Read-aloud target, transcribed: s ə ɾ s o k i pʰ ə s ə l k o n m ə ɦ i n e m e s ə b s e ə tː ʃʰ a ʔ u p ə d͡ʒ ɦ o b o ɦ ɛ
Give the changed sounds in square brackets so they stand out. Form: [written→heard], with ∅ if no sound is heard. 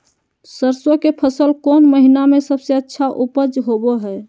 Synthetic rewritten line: s ə ɾ s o k [i→e] pʰ ə s ə l k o n m ə ɦ i n [e→a] m e s ə b s e ə tː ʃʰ a ʔ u p ə d͡ʒ ɦ o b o ɦ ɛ

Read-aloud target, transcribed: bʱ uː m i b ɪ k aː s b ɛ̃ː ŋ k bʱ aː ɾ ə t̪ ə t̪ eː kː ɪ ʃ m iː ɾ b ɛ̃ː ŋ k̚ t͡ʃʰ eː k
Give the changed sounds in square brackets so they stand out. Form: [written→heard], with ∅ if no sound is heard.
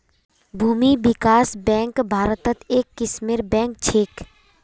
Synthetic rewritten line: bʱ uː m i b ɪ k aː s b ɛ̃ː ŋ k bʱ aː ɾ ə t̪ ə t̪ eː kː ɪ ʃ m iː ɾ b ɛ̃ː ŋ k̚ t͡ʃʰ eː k

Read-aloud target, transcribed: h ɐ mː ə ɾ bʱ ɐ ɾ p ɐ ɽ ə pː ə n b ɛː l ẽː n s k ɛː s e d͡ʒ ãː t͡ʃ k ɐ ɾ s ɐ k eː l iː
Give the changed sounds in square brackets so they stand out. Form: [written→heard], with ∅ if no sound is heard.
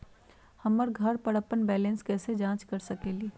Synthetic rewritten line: h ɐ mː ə ɾ [bʱ→ɡʱ] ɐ ɾ p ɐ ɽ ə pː ə n b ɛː l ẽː n s k ɛː s e d͡ʒ ãː t͡ʃ k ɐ ɾ s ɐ k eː l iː

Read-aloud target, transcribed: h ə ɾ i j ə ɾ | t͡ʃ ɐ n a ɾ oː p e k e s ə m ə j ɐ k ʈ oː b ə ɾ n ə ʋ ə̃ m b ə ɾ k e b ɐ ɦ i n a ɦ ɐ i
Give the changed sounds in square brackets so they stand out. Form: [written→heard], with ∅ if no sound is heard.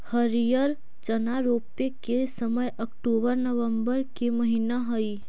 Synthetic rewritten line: h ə ɾ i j ə ɾ | t͡ʃ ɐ n a ɾ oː p e k e s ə m ə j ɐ k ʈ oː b ə ɾ n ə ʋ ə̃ m b ə ɾ k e [b→m] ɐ ɦ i n a ɦ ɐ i

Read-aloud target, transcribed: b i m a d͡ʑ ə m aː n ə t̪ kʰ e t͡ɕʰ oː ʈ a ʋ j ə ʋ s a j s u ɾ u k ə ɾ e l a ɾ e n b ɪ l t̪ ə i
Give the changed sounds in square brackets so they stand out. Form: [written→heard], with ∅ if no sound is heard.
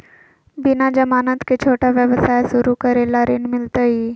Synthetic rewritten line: b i [m→n] a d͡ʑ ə m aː n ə t̪ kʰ e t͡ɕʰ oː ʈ a ʋ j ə ʋ s a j s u ɾ u k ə ɾ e l a ɾ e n [b→m] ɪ l t̪ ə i

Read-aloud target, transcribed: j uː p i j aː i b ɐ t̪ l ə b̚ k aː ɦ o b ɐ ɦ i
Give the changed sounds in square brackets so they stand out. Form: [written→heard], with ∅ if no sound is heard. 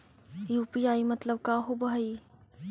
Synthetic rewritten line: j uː p i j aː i [b→m] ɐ t̪ l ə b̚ k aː ɦ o b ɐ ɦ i

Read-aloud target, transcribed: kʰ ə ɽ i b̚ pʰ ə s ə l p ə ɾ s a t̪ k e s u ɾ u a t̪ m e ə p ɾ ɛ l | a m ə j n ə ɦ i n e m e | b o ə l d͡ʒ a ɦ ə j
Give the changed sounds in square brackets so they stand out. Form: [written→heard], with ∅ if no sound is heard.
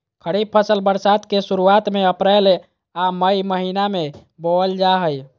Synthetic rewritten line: kʰ ə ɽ i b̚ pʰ ə s ə l [p→b] ə ɾ s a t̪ k e s u ɾ u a t̪ m e ə p ɾ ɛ l | a m ə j [n→m] ə ɦ i n [e→a] m e | b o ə l d͡ʒ a ɦ ə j

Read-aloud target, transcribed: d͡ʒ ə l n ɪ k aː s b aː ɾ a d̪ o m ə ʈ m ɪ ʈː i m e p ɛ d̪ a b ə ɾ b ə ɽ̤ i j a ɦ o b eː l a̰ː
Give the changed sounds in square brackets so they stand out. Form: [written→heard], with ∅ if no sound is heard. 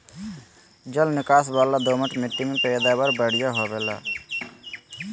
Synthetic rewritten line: d͡ʒ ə l n ɪ k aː s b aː [ɾ→l] a d̪ o m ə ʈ m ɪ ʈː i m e p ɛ d̪ a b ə ɾ b ə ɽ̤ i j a ɦ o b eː l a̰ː

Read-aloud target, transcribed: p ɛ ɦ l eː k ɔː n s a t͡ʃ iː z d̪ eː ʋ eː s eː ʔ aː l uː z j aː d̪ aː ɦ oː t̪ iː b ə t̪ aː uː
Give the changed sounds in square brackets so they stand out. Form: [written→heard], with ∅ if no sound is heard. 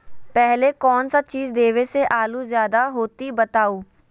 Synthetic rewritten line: p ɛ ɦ l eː k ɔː n s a t͡ʃ iː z d̪ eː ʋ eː s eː ʔ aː l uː z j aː d̪ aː ɦ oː t̪ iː b ə t̪ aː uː

